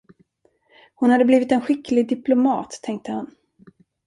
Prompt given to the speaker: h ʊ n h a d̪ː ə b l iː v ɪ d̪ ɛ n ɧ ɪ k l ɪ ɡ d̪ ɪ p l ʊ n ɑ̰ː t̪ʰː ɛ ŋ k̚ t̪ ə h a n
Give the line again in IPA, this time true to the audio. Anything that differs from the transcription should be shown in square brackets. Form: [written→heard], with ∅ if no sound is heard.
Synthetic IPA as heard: h ʊ n h a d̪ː ə b l iː v ɪ [d̪→t̪] ɛ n ɧ ɪ k l ɪ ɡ d̪ ɪ p l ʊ [n→m] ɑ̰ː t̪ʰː ɛ ŋ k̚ t̪ ə h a n